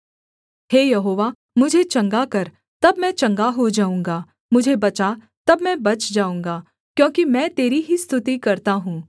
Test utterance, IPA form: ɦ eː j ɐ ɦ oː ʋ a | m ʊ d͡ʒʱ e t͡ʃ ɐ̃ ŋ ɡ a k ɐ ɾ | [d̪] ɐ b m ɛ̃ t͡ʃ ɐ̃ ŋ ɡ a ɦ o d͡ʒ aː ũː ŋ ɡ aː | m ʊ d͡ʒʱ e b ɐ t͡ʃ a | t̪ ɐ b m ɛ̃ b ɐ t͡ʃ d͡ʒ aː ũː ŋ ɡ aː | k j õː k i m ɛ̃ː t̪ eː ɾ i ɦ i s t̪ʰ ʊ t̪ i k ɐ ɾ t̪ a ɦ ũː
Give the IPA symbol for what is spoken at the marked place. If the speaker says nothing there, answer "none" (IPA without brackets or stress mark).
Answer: t̪